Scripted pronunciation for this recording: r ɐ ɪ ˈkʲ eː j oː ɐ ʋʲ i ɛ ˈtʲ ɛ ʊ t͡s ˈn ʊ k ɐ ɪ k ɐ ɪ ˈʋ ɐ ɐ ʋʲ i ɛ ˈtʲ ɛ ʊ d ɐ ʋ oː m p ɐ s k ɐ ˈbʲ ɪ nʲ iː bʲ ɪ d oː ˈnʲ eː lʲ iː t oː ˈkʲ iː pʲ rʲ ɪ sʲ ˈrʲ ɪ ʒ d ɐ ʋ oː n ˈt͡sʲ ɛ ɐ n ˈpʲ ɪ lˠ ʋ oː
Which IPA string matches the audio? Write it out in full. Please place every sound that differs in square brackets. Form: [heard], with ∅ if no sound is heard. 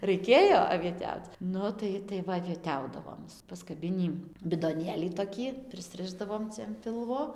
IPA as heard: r ɐ ɪ ˈkʲ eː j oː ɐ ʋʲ i ɛ ˈtʲ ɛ ʊ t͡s ˈn ʊ [t] ɐ ɪ [t] ɐ ɪ ˈʋ ɐ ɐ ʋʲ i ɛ ˈtʲ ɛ ʊ d ɐ ʋ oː m p ɐ s k ɐ ˈbʲ ɪ nʲ iː bʲ ɪ d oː ˈnʲ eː lʲ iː t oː ˈkʲ iː pʲ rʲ ɪ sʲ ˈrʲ ɪ ʒ d ɐ ʋ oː [m] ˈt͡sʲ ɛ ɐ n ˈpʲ ɪ lˠ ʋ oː

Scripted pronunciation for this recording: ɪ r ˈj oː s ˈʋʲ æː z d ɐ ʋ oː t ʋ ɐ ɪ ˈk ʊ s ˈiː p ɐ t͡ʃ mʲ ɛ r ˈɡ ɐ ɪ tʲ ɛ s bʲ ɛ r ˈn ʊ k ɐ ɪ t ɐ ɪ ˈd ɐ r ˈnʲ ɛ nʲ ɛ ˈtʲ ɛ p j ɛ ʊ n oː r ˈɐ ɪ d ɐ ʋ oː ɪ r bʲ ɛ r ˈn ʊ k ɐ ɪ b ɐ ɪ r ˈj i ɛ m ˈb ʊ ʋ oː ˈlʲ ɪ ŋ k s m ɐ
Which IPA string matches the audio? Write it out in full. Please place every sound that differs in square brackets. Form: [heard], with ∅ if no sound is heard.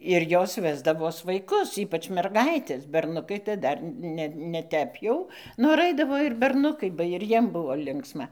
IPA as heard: ɪ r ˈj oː s ˈʋʲ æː z d ɐ ʋ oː [s] ʋ ɐ ɪ ˈk ʊ s ˈiː p ɐ t͡ʃ mʲ ɛ r ˈɡ ɐ ɪ tʲ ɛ s bʲ ɛ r ˈn ʊ k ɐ ɪ t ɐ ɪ ˈd ɐ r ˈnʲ ɛ nʲ ɛ ˈtʲ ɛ p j ɛ ʊ n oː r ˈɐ ɪ d ɐ ʋ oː ɪ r bʲ ɛ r ˈn ʊ k ɐ ɪ b ɐ ɪ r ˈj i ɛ m ˈb ʊ ʋ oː ˈlʲ ɪ ŋ k s m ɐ

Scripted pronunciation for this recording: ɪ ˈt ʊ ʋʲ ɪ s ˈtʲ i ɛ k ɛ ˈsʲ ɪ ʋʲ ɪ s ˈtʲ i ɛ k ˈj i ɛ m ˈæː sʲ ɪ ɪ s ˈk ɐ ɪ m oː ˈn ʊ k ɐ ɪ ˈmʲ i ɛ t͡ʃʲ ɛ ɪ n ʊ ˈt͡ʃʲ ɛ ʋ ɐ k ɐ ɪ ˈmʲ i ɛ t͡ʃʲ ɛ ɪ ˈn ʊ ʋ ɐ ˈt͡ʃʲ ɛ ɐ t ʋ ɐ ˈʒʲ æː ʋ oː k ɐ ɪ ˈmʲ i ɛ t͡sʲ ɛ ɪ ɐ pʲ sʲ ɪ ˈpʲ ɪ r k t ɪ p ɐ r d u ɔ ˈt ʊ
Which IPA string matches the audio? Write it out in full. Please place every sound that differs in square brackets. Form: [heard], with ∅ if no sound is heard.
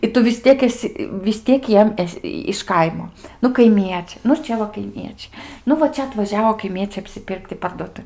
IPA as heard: ɪ ˈt ʊ ʋʲ ɪ s ˈtʲ i ɛ k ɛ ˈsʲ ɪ ʋʲ ɪ s ˈtʲ i ɛ k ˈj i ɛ m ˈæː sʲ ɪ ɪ [ʃ] ˈk ɐ ɪ m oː ˈn ʊ k ɐ ɪ ˈmʲ i ɛ t͡ʃʲ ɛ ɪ n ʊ ˈt͡ʃʲ ɛ ʋ ɐ k ɐ ɪ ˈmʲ i ɛ t͡ʃʲ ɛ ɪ ˈn ʊ ʋ ɐ ˈt͡ʃʲ ɛ ɐ t ʋ ɐ ˈʒʲ æː ʋ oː k ɐ ɪ ˈmʲ i ɛ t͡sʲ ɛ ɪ ɐ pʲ sʲ ɪ ˈpʲ ɪ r k t ɪ p ɐ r d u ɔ ˈt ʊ

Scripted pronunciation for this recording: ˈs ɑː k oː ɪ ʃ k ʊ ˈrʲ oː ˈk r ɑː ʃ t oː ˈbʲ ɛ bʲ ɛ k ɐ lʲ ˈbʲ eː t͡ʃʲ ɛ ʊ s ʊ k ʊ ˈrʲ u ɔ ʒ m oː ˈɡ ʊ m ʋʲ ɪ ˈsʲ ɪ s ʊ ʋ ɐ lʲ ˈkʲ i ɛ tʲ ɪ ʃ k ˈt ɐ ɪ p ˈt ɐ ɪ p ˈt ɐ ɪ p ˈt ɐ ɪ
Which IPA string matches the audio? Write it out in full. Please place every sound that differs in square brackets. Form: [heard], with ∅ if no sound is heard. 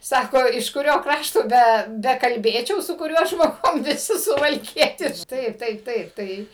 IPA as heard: ˈs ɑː k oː ɪ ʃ k ʊ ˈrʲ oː ˈk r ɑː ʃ t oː ˈbʲ ɛ bʲ ɛ k ɐ lʲ ˈbʲ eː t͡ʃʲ ɛ ʊ s ʊ k ʊ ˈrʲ u ɔ ʒ m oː ˈɡ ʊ m ʋʲ ɪ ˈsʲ ɪ s ʊ ʋ ɐ lʲ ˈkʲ i ɛ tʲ ɪ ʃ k ˈt ɐ ɪ p ˈt ɐ ɪ p ˈt ɐ ɪ p ˈt ɐ ɪ

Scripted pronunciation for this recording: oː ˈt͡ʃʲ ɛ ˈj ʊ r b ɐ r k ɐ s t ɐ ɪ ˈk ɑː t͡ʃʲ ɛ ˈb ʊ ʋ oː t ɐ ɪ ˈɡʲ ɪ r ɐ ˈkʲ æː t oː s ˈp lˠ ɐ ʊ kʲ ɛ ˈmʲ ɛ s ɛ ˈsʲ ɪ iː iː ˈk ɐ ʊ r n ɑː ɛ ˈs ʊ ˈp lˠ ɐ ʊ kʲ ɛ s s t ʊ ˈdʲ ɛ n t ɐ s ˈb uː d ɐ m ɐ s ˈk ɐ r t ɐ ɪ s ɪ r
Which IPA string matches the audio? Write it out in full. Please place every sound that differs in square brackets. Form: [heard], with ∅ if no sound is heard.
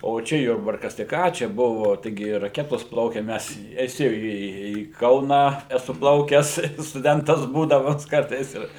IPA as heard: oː ˈt͡ʃʲ ɛ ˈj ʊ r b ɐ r k ɐ s t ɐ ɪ ˈk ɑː t͡ʃʲ ɛ ˈb ʊ ʋ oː t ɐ ɪ ˈɡʲ ɪ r ɐ ˈkʲ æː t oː s ˈp lˠ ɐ ʊ kʲ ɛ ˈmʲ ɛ s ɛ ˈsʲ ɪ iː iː ˈk ɐ ʊ [∅] n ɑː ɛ ˈs ʊ ˈp lˠ ɐ ʊ kʲ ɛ s s t ʊ ˈdʲ ɛ n t ɐ s ˈb uː d ɐ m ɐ s ˈk ɐ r t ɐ ɪ s ɪ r

